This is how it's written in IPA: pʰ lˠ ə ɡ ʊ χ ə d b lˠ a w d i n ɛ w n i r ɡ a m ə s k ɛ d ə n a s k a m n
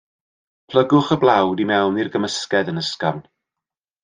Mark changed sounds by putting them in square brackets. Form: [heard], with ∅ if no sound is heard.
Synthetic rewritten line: pʰ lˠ ə ɡ ʊ χ ə [∅] b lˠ a w d i [m] ɛ w n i r ɡ [ə] m ə s k ɛ d ə n [ə] s k a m n

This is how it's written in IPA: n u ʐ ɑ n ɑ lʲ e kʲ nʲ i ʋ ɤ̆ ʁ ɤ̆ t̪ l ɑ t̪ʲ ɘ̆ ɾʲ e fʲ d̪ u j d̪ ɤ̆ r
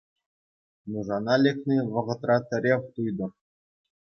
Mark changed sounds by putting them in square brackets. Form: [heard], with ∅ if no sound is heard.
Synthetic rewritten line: n u ʐ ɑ n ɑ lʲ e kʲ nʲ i ʋ ɤ̆ ʁ ɤ̆ t̪ [r] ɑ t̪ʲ ɘ̆ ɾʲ e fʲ [t̪] u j d̪ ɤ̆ r

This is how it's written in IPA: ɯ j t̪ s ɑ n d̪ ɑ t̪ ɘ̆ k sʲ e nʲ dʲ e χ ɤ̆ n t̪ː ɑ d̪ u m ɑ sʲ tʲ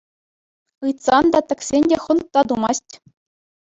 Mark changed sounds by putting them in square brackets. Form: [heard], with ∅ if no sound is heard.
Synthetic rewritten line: ɯ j t̪ s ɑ n d̪ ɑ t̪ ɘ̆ k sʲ e nʲ dʲ e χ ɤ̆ n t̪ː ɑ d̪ u m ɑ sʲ tʲ

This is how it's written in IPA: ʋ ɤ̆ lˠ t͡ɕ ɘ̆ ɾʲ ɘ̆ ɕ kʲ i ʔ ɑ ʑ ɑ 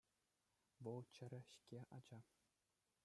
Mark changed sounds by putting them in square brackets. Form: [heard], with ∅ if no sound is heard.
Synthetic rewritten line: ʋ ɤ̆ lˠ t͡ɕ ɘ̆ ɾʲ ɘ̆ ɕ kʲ [e] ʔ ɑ [d͡ʑ] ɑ

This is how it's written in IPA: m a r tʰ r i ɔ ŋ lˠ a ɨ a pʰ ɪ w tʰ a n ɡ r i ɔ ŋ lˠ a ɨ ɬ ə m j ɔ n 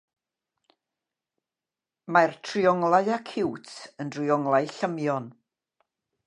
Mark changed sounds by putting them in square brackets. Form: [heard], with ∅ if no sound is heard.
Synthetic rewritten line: m a r tʰ r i ɔ ŋ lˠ a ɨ a [kʰ] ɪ w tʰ [ə] n [d] r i ɔ ŋ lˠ a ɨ ɬ ə m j ɔ n

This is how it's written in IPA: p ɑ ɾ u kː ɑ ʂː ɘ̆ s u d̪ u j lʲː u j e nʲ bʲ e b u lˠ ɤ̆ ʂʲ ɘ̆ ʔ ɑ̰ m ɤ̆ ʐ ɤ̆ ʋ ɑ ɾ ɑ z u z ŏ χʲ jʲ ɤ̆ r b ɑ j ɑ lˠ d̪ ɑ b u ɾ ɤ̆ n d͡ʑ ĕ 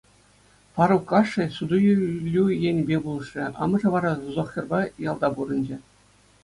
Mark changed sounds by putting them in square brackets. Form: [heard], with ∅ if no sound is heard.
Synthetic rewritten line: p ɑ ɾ u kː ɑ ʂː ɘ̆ s u d̪ u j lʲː u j e nʲ bʲ e b u lˠ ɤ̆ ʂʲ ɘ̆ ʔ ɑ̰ m ɤ̆ ʐ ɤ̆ ʋ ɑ ɾ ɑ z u z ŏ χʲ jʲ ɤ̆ r b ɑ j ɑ lˠ d̪ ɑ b u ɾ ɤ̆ n d͡ʑ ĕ

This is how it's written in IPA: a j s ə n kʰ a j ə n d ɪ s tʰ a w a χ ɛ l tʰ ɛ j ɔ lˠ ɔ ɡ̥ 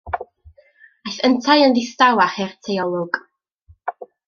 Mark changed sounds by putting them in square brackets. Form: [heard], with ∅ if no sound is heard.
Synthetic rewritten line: a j [θ] ə n [tʰ] a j ə n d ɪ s [t] a w a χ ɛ [r] tʰ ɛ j ɔ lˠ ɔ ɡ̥

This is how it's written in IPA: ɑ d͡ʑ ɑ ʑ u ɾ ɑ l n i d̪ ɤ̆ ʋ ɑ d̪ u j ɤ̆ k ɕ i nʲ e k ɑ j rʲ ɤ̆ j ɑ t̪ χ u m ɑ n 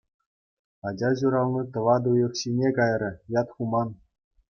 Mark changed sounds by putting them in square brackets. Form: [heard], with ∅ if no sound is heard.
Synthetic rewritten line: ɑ d͡ʑ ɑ ʑ u ɾ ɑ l n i [t̪] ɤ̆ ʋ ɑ d̪ u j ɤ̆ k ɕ i nʲ e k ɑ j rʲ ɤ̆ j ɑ t̪ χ u m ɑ n

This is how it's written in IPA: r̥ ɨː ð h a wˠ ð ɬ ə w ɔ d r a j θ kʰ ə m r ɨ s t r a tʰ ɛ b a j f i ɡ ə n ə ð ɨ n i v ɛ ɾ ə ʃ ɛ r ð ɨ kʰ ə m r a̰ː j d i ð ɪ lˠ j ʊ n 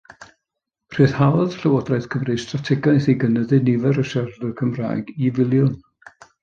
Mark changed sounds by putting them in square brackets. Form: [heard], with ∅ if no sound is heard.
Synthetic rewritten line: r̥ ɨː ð h a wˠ ð ɬ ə w ɔ d r a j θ kʰ ə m r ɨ s t r a tʰ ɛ [ɡ] a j [θ] i ɡ ə n ə ð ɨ n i v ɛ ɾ ə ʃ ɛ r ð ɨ kʰ ə m r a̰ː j [ɡ] i [v] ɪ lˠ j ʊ n

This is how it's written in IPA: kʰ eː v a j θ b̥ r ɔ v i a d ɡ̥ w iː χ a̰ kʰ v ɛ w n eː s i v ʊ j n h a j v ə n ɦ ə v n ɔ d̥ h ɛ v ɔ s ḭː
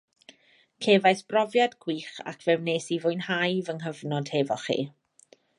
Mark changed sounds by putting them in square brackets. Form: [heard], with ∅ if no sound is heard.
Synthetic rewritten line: kʰ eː v a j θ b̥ r ɔ v [j] a d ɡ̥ w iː χ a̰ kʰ v ɛ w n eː s i v ʊ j n h a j v ə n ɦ ə v n ɔ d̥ h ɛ v ɔ [χ] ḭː

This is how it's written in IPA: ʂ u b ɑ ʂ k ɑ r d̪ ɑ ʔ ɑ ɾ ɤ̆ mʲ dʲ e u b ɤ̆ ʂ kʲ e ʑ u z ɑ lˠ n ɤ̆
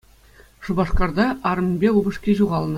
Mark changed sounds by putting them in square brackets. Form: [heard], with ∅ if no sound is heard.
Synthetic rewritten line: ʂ u b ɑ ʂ k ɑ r d̪ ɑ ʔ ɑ ɾ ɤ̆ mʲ [bʲ] e u b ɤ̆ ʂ kʲ e ʑ u [ʁ] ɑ lˠ n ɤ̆

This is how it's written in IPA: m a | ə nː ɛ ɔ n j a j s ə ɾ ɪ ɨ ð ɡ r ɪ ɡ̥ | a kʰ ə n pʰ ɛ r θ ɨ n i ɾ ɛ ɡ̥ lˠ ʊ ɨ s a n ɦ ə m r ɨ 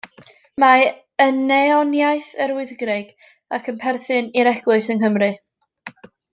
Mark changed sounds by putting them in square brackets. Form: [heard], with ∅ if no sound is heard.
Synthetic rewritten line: m a | ə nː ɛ ɔ n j a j [θ] ə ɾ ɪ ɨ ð ɡ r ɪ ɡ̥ | a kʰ ə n pʰ ɛ r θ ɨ n i ɾ ɛ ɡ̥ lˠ ʊ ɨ s [ə] n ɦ ə m r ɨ

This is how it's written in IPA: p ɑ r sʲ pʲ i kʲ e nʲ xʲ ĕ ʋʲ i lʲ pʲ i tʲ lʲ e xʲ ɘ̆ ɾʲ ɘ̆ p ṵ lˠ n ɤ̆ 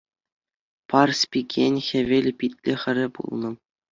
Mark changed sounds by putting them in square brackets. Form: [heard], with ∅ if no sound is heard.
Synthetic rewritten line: p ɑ r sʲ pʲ i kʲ e nʲ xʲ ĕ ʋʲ [e] lʲ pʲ i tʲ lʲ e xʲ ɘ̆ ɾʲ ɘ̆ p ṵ lˠ n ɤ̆

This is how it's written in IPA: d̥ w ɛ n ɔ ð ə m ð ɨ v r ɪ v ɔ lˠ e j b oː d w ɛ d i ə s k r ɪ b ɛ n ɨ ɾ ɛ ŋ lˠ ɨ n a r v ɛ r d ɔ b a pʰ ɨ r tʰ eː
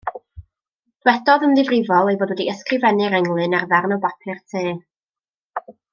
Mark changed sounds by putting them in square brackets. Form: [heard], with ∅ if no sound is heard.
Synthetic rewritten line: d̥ w ɛ [d] ɔ ð ə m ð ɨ v r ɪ v ɔ lˠ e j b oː d w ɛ d i ə s k r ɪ [v] ɛ n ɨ ɾ ɛ ŋ lˠ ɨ n a r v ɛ r [n] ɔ b a pʰ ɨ r tʰ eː

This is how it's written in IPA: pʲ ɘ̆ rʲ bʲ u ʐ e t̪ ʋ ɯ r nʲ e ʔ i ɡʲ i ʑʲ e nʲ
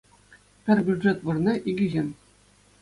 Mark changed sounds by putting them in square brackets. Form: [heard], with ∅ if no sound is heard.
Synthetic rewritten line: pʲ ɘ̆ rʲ bʲ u ʐ e t̪ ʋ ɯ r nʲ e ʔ i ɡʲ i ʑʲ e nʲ

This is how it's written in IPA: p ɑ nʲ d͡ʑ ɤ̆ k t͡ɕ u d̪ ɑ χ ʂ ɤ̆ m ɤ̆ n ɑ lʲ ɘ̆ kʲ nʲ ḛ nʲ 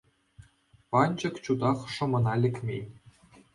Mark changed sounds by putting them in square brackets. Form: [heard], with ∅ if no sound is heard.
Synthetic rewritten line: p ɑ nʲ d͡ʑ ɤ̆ k t͡ɕ u d̪ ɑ χ ʂ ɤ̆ m ɤ̆ n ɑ lʲ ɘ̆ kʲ [mʲ] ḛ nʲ

